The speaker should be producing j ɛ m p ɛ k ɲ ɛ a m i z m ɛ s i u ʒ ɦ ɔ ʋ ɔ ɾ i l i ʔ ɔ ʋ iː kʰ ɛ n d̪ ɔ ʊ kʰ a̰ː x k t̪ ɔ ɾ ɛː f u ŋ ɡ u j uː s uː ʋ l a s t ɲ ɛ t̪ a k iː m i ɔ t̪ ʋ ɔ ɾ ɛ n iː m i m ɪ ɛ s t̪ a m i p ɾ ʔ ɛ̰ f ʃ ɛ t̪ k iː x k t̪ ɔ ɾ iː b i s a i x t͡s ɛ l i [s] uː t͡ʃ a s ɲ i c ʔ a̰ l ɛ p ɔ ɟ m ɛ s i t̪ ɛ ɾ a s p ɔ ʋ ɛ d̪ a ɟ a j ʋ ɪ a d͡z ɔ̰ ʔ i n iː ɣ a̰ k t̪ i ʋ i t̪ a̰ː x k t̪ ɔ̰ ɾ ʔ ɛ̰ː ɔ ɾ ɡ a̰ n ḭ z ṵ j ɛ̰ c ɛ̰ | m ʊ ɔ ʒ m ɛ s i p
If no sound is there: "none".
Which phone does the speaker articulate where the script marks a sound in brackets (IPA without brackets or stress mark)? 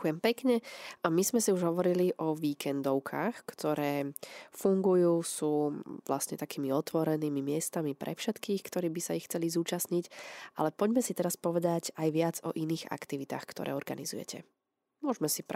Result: z